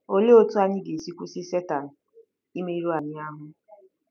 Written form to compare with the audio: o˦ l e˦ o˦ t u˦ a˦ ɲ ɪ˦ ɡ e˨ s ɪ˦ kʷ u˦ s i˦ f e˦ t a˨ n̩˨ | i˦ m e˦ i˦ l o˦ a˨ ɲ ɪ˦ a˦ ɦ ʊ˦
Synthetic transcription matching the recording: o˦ l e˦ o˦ t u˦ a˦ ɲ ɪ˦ ɡ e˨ s i˦ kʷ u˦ s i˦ s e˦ t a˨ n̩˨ | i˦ m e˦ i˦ ɾ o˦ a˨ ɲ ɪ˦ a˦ ɦ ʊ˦